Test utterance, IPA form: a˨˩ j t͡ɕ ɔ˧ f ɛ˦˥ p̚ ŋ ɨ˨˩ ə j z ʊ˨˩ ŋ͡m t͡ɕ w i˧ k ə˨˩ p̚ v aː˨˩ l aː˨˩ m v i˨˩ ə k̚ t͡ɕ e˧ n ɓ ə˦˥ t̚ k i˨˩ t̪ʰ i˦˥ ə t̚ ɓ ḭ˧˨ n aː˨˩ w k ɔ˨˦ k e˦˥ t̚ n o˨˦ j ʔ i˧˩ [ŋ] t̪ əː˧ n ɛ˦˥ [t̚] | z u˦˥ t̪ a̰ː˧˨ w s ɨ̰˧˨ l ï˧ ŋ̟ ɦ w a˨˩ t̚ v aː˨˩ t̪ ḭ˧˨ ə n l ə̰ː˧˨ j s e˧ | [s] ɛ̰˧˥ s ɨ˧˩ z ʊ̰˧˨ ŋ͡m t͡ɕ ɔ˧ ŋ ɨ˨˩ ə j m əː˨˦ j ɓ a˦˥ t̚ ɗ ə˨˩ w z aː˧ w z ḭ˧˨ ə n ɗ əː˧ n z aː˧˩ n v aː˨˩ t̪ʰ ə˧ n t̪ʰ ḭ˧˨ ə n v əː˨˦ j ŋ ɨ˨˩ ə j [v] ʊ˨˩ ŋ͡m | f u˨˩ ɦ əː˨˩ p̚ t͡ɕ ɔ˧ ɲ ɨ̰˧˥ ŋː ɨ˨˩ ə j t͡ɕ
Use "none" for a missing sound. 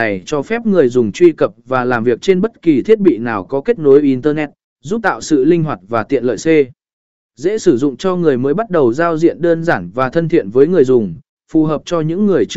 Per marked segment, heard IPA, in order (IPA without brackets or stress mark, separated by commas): n, t̚, z, z